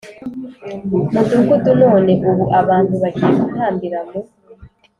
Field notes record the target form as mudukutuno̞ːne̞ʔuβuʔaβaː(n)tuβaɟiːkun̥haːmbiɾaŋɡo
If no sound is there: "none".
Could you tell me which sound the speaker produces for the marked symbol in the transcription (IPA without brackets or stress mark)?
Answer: n